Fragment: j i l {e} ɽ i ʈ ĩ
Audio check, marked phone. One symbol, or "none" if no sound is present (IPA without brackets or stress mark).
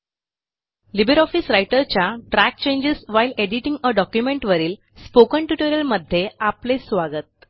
e